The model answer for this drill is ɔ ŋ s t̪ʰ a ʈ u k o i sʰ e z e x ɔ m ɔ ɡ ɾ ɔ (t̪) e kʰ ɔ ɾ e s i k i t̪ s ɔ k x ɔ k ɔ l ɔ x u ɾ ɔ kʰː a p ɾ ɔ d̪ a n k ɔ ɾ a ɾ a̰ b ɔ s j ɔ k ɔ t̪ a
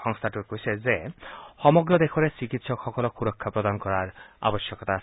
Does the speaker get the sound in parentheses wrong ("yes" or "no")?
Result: yes